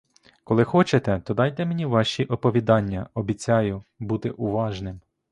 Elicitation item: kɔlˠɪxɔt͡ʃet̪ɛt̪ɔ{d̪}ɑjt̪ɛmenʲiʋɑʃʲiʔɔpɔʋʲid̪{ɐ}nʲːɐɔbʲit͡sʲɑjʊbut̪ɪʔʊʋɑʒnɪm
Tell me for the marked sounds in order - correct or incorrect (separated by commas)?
correct, incorrect